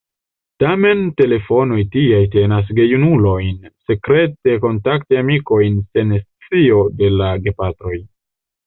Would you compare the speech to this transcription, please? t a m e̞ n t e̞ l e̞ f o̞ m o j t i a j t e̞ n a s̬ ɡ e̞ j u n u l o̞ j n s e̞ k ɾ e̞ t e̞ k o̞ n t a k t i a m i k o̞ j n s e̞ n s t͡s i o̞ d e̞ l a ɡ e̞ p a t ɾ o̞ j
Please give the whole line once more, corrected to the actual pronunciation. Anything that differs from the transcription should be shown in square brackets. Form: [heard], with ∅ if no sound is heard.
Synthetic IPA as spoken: t a m e̞ n t e̞ l e̞ f o̞ [n] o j t i a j t e̞ n a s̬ ɡ e̞ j u n u l o̞ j n s e̞ k ɾ e̞ t e̞ k o̞ n t a k t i a m i k o̞ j n s e̞ n s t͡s i o̞ d e̞ l a ɡ e̞ p a t ɾ o̞ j